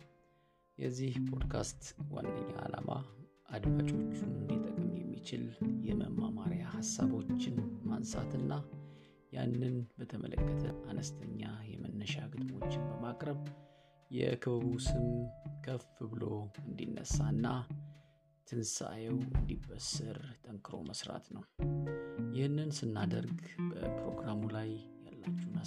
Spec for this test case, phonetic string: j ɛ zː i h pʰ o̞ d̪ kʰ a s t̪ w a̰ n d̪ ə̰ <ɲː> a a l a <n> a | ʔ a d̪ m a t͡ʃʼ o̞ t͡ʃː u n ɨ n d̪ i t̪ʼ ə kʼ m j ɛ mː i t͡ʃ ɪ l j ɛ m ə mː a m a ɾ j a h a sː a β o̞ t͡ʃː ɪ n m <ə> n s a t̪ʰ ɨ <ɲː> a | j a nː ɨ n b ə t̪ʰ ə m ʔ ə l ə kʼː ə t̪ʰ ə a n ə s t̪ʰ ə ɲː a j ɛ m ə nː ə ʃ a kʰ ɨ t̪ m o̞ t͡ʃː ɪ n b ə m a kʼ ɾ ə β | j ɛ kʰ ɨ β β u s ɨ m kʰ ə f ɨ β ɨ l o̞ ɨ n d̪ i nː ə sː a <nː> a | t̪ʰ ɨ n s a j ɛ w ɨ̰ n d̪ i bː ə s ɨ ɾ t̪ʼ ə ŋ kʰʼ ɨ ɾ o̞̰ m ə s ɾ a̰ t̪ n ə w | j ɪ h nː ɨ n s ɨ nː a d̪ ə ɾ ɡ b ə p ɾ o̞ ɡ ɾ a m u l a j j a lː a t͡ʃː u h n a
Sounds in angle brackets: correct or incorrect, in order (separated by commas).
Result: correct, incorrect, incorrect, incorrect, correct